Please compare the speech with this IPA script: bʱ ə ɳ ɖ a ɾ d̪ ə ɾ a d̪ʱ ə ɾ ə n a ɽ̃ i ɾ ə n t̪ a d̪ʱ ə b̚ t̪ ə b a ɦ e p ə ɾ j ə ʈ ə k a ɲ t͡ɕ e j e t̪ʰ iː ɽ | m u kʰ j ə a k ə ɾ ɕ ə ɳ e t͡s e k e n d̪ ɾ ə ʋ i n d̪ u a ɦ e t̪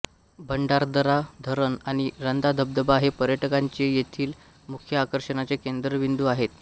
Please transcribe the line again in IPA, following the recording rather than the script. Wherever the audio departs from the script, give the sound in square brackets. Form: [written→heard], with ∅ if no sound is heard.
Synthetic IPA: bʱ ə ɳ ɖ a ɾ d̪ ə ɾ a d̪ʱ ə ɾ ə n a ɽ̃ i ɾ ə n [t̪→d̪] a d̪ʱ ə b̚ [t̪→d̪] ə b a ɦ e p ə ɾ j ə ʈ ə k a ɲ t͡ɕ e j e t̪ʰ iː [ɽ→l] | m u kʰ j ə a k ə ɾ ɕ ə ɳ [e→a] t͡s e k e n d̪ ɾ ə ʋ i n d̪ u a ɦ e t̪